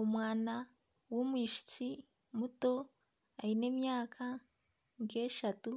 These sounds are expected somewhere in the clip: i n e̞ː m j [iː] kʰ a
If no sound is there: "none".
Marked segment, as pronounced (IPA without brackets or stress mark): aː